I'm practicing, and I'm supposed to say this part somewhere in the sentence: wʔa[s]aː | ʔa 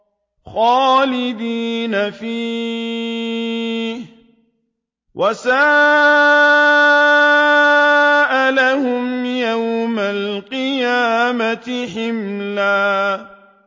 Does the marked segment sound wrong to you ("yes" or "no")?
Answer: no